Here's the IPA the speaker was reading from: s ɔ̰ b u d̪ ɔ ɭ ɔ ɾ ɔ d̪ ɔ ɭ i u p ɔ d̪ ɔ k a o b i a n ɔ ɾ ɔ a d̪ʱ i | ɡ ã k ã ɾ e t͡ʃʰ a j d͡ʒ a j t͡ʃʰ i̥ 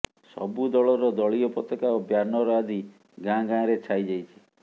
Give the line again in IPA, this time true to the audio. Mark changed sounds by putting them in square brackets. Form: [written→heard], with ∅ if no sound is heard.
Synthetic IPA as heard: s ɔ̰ b u d̪ ɔ ɭ ɔ ɾ ɔ d̪ ɔ ɭ i [u→ɔ] p ɔ [d̪→t̪] ɔ k a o b [i→j] a n ɔ ɾ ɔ a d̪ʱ i | ɡ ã [k→ɡ] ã ɾ e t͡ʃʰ a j d͡ʒ a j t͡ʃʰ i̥